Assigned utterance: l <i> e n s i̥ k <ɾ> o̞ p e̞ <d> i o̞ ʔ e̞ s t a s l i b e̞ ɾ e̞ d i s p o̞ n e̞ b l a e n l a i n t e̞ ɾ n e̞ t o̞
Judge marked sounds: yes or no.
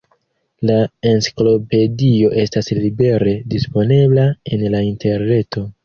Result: no, no, yes

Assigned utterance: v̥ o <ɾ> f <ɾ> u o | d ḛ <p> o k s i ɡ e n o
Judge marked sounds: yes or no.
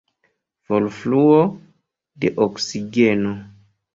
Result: no, no, no

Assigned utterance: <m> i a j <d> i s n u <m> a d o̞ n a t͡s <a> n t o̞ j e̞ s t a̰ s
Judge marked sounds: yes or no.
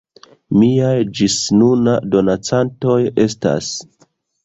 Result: yes, no, no, yes

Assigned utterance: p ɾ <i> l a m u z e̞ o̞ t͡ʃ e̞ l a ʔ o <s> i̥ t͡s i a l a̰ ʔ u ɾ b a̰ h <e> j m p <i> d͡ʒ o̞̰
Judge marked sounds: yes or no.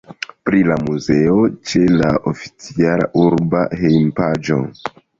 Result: yes, no, yes, no

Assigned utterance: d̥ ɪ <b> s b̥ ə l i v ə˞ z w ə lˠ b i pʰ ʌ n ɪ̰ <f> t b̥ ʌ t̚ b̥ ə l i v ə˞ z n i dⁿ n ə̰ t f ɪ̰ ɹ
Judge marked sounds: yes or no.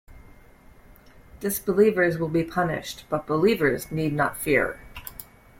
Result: no, no

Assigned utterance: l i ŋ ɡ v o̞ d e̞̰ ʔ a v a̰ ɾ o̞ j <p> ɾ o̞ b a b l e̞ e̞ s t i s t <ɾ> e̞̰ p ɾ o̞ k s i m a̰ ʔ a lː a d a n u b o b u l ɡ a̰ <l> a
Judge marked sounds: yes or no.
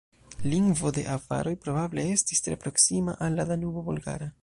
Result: yes, yes, no

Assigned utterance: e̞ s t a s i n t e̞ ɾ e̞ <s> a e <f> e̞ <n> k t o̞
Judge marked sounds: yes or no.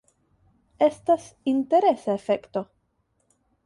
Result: yes, yes, no

